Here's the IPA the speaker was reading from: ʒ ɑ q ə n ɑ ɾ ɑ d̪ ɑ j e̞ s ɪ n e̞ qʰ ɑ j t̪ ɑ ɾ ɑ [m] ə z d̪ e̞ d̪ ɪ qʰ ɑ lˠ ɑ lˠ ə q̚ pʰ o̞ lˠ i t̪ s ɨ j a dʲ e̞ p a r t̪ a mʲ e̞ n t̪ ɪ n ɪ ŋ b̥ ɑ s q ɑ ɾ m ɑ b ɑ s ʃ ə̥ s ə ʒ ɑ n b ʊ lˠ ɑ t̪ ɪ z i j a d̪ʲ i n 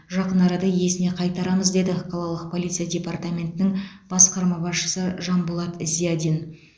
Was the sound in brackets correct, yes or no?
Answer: yes